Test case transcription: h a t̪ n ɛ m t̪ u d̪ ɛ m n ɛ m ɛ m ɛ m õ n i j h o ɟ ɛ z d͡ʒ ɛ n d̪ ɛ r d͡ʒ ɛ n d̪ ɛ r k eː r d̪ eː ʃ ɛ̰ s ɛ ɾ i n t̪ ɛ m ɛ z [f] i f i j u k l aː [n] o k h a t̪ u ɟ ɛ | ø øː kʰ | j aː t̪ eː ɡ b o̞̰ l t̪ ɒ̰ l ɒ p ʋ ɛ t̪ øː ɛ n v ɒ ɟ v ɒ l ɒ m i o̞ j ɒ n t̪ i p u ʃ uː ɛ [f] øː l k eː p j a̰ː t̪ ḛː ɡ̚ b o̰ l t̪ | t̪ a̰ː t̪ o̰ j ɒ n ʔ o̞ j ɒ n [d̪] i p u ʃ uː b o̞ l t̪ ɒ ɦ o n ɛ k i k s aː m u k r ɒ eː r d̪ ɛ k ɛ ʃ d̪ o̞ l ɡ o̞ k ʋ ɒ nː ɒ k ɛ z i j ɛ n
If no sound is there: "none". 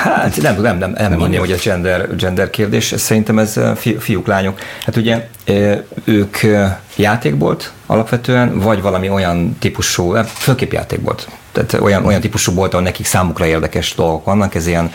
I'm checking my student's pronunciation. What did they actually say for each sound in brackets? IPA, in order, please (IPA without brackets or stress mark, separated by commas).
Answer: f, ɲ, f, t̪